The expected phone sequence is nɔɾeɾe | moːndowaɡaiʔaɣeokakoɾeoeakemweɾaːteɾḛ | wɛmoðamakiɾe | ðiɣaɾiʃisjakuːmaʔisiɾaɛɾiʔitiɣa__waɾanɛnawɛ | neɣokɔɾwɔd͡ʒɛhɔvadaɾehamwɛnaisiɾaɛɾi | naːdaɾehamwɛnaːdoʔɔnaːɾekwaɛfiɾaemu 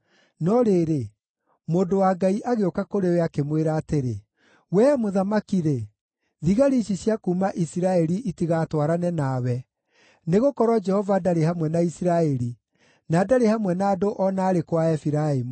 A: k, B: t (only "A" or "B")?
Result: B